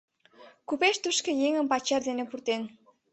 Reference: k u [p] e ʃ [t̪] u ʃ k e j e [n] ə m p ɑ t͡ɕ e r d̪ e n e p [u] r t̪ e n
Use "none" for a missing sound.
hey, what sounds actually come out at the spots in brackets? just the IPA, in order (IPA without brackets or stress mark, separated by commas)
p, t̪, ŋ, u